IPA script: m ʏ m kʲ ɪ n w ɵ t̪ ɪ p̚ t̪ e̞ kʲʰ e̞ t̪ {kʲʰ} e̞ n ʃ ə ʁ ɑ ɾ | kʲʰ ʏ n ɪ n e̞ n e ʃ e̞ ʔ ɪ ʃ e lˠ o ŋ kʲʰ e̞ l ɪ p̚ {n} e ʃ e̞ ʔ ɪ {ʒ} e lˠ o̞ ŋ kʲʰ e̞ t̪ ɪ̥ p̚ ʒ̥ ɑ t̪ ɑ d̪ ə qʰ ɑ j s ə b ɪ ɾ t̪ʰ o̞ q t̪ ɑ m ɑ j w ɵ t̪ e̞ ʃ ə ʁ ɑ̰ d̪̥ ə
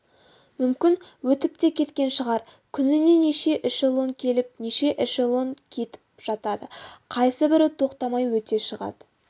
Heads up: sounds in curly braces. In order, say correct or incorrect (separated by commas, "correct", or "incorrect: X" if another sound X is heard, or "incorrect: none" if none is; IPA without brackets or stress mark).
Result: incorrect: kʲ, correct, incorrect: ʃ